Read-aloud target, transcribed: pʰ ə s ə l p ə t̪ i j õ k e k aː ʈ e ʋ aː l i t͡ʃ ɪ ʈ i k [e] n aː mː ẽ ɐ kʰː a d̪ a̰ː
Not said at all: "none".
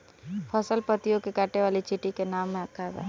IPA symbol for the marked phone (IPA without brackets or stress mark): e